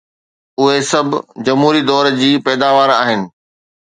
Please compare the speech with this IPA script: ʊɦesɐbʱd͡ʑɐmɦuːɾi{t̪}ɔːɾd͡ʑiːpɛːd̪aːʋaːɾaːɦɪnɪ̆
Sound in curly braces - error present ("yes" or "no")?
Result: yes